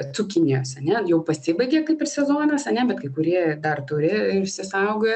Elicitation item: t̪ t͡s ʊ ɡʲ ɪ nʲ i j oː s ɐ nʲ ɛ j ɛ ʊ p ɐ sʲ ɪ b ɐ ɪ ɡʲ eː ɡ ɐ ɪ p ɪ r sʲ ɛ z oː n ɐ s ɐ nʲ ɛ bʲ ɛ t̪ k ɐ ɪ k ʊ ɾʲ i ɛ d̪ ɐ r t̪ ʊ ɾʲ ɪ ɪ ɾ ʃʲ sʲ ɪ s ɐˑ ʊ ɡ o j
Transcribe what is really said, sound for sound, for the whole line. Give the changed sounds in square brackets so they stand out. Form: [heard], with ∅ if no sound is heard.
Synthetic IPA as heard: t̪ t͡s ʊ [kʲ] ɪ nʲ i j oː s ɐ nʲ ɛ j ɛ ʊ p ɐ sʲ ɪ b ɐ ɪ ɡʲ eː [k] ɐ ɪ p ɪ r sʲ ɛ z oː n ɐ s ɐ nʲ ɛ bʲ ɛ t̪ k ɐ ɪ k ʊ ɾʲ i ɛ d̪ ɐ r t̪ ʊ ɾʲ ɪ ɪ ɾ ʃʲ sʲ ɪ s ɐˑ ʊ ɡ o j